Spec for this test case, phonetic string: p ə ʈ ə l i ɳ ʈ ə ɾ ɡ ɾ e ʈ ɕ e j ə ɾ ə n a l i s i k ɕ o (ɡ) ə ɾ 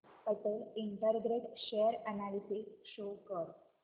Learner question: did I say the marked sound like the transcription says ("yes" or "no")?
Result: no